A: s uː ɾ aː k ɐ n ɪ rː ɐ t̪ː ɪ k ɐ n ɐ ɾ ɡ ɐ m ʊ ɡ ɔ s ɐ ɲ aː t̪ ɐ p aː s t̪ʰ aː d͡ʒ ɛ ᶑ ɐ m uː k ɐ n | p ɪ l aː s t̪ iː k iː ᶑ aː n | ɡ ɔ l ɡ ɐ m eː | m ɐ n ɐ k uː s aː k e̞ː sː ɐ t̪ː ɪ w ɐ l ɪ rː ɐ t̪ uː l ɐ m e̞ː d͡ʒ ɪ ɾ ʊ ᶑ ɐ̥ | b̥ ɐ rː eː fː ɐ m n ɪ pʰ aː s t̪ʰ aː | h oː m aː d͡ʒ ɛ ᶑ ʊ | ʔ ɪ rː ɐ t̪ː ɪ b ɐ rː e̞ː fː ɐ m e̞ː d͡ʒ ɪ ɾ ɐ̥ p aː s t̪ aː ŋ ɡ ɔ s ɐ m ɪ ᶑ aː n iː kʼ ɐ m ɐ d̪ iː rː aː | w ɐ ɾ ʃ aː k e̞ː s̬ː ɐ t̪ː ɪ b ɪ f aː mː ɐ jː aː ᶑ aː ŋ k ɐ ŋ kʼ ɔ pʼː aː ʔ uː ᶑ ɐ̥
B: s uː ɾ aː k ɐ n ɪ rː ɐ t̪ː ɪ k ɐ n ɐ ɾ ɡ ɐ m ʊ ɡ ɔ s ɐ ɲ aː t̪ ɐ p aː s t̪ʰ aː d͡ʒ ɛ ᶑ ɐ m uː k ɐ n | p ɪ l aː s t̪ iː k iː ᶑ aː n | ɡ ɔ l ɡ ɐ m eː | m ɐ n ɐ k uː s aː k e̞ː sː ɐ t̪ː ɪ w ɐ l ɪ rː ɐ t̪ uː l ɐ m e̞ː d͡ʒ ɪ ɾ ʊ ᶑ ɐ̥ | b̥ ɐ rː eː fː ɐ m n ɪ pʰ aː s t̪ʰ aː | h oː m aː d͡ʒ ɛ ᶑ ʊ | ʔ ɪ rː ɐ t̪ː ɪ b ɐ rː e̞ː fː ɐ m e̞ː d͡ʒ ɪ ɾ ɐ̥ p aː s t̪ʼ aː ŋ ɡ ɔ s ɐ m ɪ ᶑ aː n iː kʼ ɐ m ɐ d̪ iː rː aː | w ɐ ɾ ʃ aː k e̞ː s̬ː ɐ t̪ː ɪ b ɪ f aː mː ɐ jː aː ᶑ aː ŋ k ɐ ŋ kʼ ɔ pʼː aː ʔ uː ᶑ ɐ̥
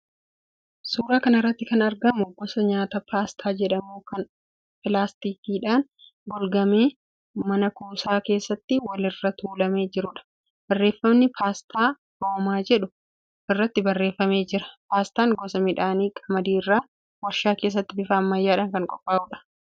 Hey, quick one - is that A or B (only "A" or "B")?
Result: A